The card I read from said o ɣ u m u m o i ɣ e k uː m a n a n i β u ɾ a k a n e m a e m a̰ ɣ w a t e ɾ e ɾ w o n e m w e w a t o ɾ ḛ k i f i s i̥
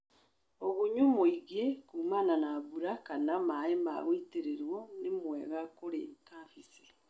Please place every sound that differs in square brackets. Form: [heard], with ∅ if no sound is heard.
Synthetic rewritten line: o ɣ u [ɲ] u m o i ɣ e k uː m a n a n [a] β u ɾ a k a n [a] m a e m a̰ ɣ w [i] t e ɾ e ɾ w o n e m w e [ɣ] a [k] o ɾ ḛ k [a] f i s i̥